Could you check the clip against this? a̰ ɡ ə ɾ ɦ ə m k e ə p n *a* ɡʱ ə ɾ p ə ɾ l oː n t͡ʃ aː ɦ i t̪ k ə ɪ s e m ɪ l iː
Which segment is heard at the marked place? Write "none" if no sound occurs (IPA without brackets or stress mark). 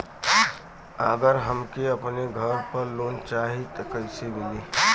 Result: e